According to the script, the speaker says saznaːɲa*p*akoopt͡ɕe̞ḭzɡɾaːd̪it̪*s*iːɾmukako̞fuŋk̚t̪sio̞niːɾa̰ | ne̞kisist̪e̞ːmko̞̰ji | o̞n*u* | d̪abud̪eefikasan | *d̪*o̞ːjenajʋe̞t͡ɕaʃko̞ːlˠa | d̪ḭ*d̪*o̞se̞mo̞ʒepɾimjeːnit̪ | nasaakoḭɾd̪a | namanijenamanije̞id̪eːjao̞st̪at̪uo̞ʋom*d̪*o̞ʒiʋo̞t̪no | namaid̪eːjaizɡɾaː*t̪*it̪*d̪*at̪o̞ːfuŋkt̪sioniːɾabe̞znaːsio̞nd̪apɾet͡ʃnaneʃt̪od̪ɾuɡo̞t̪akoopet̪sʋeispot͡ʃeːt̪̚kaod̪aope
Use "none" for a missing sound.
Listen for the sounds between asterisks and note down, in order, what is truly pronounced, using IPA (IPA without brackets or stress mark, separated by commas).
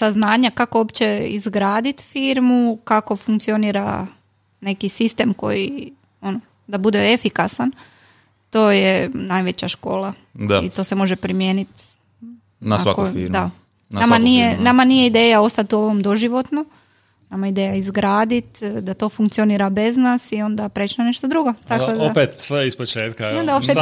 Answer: k, f, o, t̪, t̪, d̪, d̪, d̪